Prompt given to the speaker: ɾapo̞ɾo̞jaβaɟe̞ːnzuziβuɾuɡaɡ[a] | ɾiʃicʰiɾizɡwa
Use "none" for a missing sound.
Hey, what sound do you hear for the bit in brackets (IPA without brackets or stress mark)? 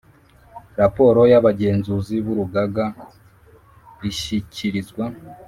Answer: a